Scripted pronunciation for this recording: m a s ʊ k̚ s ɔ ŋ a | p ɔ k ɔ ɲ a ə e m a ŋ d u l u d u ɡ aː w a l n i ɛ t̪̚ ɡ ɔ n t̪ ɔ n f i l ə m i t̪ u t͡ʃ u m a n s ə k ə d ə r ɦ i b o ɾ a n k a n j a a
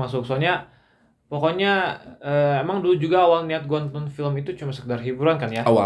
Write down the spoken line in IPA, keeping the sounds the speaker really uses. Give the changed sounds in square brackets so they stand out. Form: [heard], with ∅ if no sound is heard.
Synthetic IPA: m a s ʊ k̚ s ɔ [ɲ] a | p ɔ k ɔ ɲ a ə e m a ŋ d u l u [d͡ʒ] u ɡ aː w a l n i [a] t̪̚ ɡ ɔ n t̪ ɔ n f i l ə m i t̪ u t͡ʃ u m a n s ə k ə d [a] r ɦ i b [u] ɾ a n k a n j a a